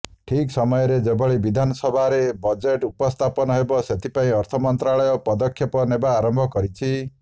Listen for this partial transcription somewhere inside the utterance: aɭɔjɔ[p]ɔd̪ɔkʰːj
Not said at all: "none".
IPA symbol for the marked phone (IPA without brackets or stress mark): p